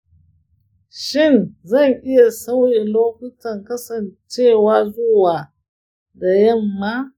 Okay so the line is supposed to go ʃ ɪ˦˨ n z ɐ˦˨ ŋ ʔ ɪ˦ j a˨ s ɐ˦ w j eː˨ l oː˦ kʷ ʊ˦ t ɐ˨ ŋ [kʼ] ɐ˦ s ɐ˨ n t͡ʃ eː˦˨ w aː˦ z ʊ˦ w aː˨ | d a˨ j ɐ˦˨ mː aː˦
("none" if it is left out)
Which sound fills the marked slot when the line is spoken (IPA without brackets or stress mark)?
k